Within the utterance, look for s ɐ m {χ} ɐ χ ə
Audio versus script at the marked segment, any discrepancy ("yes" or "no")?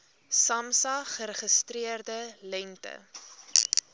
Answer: yes